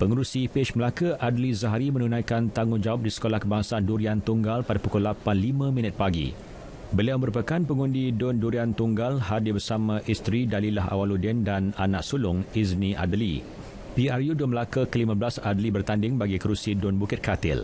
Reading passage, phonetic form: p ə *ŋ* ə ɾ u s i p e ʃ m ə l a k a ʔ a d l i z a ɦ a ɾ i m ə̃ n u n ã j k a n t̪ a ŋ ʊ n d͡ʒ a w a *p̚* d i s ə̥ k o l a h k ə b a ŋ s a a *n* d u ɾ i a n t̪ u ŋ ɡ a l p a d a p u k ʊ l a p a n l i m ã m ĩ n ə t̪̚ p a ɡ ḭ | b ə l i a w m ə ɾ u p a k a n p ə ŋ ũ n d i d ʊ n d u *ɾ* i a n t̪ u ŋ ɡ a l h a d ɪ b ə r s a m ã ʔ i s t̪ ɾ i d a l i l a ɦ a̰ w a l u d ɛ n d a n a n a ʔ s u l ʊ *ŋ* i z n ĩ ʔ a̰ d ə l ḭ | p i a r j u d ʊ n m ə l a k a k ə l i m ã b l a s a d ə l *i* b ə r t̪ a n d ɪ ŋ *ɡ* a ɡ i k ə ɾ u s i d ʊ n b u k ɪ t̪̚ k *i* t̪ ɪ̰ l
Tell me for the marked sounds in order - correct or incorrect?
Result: correct, correct, correct, correct, correct, correct, incorrect: b, incorrect: a

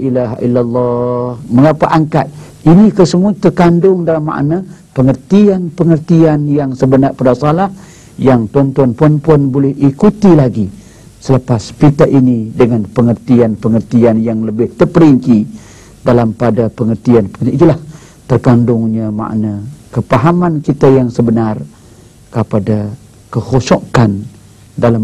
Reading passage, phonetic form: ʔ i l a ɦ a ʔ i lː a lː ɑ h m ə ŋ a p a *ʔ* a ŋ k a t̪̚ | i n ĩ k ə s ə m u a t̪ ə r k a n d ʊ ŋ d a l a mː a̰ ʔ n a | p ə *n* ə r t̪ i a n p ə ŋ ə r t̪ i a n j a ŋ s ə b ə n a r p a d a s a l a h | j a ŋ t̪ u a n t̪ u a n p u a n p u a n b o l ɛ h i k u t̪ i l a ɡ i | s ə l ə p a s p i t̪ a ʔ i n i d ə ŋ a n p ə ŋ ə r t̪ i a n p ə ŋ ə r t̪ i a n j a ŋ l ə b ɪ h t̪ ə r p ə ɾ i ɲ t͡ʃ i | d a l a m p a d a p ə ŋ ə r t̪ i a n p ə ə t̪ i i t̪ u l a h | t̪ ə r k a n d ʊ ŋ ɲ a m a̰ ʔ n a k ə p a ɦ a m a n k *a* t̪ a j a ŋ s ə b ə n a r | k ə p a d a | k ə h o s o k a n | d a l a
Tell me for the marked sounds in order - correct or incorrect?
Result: correct, incorrect: ŋ, incorrect: i

